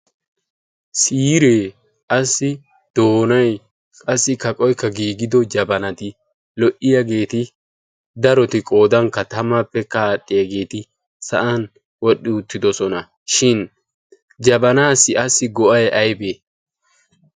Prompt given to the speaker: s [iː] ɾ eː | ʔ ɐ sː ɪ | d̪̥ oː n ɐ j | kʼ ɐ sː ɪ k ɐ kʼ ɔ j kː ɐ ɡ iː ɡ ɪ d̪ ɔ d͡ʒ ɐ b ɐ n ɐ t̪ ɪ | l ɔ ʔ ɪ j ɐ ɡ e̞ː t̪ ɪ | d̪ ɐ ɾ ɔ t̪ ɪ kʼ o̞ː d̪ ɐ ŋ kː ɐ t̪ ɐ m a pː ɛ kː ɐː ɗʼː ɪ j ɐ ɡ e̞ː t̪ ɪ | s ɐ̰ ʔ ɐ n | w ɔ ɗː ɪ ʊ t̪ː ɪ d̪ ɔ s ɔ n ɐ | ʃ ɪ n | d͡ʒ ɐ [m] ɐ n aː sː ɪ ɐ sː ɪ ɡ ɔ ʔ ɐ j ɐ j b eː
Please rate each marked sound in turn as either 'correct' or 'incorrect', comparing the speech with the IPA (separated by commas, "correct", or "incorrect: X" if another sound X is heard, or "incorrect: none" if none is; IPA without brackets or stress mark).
correct, incorrect: b